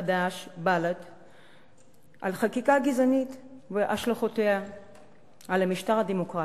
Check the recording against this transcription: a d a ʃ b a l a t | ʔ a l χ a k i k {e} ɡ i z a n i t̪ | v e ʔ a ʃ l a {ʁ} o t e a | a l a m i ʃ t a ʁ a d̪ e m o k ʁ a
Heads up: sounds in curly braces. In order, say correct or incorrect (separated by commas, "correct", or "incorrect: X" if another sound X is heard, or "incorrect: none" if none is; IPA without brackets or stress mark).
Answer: incorrect: a, incorrect: χ